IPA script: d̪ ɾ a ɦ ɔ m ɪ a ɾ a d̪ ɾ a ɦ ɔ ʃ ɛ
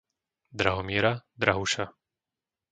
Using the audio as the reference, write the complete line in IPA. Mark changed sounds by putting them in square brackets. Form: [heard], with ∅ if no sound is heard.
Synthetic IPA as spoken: d̪ ɾ a ɦ ɔ m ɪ [ɛ] ɾ a d̪ ɾ a ɦ [u] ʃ [a]